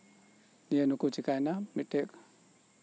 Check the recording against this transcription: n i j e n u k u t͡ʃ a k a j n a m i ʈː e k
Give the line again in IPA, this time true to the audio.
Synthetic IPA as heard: n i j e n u k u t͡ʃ i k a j n a m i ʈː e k